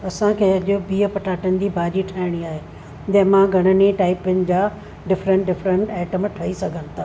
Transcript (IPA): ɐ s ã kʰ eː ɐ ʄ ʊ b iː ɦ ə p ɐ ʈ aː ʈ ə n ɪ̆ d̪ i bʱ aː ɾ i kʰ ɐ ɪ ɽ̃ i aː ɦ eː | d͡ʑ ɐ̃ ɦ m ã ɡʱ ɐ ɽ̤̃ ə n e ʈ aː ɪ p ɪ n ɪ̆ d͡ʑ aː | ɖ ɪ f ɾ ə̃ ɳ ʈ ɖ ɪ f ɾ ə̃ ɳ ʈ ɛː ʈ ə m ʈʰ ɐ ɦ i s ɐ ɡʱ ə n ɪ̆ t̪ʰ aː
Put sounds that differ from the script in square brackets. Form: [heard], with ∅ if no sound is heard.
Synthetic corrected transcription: ɐ s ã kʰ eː ɐ ʄ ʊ b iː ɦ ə p ɐ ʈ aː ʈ ə n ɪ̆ d̪ i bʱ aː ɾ i [ʈʰ] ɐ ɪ ɽ̃ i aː ɦ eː | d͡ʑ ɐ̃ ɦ m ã ɡʱ ɐ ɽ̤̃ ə n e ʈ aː ɪ p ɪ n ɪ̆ d͡ʑ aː | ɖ ɪ f ɾ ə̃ ɳ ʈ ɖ ɪ f ɾ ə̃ ɳ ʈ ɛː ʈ ə m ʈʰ ɐ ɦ i s ɐ ɡʱ ə n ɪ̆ t̪ʰ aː